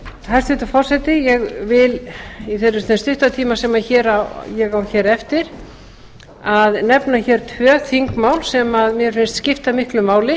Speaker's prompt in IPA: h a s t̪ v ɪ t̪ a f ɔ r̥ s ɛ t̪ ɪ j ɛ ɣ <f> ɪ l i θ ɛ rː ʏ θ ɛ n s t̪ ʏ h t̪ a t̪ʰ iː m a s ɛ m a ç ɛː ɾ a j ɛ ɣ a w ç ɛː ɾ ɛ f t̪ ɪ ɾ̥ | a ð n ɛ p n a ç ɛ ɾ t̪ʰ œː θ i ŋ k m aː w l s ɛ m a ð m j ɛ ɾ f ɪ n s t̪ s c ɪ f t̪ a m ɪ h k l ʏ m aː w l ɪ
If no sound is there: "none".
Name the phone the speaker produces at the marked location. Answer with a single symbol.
v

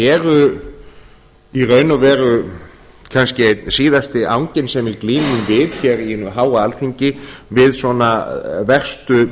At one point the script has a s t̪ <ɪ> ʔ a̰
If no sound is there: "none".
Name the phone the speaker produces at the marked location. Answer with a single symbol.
ɪ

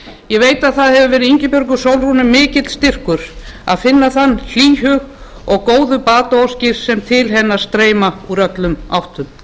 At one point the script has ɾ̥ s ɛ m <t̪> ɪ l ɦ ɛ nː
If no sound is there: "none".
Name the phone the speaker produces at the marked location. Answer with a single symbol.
t̪ʰ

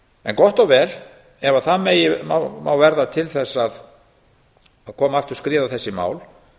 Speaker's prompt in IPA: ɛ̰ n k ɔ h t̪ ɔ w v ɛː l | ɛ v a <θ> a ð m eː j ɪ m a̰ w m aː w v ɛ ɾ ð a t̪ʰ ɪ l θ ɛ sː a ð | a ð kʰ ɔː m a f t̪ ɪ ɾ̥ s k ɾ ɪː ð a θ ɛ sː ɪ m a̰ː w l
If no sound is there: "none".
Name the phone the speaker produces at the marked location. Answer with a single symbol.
θ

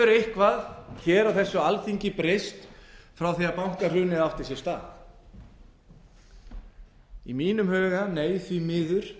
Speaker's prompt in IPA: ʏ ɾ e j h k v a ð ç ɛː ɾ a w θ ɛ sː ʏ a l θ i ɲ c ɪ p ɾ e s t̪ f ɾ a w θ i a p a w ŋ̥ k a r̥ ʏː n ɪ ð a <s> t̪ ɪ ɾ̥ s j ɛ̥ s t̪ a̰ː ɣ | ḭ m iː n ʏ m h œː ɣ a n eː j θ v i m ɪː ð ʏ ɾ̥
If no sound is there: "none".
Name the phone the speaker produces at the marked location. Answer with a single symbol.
f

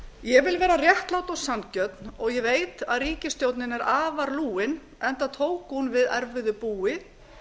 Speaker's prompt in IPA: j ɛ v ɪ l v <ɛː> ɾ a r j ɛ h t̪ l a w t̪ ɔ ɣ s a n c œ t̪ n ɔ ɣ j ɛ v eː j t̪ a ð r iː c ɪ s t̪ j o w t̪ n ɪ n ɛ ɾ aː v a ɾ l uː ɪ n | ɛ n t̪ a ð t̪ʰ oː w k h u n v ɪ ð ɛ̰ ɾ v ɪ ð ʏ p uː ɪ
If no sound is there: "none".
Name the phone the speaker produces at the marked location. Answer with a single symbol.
ɛː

